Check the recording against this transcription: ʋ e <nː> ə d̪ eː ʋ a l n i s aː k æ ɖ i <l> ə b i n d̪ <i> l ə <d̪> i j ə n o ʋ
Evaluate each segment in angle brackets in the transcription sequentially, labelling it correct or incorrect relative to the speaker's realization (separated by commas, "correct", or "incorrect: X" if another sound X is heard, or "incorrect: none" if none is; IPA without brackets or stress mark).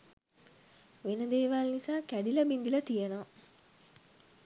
incorrect: n, correct, correct, incorrect: t̪